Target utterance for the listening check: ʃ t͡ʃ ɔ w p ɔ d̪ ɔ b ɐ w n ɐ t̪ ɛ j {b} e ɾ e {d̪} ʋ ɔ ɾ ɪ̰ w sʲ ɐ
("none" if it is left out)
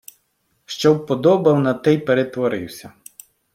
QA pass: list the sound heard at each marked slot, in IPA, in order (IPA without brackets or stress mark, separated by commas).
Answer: p, t̪